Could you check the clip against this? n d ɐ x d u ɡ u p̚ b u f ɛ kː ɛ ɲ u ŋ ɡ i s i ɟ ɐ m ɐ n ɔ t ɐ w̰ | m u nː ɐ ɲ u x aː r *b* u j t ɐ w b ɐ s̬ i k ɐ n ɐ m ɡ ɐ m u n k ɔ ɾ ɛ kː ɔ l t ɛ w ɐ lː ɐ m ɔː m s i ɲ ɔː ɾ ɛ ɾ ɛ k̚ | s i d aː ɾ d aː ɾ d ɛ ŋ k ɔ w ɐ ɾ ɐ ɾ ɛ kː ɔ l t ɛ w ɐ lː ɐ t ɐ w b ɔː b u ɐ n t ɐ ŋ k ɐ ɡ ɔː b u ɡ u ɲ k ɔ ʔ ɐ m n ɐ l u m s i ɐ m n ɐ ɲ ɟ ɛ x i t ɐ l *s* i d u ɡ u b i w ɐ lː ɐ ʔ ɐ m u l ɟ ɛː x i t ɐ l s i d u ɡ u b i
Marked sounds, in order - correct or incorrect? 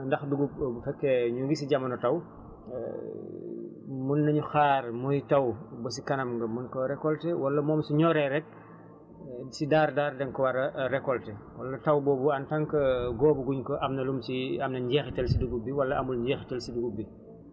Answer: incorrect, correct

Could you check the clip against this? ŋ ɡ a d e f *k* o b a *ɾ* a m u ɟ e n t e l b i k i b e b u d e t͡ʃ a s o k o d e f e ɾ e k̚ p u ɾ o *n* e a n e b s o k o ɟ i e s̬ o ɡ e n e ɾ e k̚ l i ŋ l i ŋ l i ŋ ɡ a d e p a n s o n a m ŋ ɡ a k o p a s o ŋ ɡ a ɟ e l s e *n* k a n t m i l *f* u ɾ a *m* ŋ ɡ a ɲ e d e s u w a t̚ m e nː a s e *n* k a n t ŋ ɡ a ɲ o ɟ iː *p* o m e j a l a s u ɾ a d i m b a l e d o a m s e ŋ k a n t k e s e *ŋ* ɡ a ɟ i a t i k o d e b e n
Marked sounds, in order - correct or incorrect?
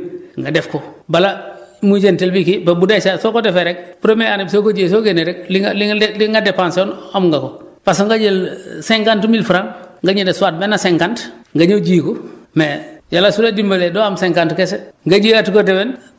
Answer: correct, incorrect, incorrect, incorrect, correct, incorrect, incorrect, incorrect, correct

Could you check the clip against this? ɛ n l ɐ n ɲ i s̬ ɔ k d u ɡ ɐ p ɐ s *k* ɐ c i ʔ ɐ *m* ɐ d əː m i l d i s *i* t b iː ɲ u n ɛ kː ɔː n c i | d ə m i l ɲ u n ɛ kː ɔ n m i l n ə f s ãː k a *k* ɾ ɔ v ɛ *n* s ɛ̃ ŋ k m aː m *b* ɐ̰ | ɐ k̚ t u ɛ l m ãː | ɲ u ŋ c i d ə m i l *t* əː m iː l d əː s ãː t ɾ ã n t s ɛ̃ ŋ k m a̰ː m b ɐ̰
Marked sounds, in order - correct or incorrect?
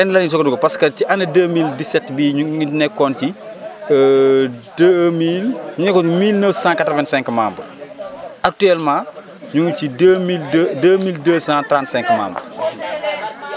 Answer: correct, incorrect, incorrect, incorrect, correct, correct, incorrect

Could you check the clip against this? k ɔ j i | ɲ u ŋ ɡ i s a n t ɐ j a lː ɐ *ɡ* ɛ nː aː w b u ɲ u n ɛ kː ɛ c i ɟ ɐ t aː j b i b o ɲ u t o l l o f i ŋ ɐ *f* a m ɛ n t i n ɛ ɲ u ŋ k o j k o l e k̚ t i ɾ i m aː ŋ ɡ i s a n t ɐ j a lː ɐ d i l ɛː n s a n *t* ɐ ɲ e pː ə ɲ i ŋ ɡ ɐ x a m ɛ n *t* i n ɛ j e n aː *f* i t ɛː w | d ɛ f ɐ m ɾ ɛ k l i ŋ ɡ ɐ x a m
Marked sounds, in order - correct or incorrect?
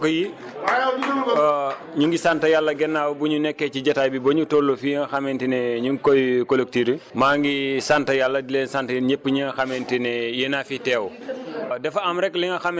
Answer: correct, incorrect, correct, correct, correct

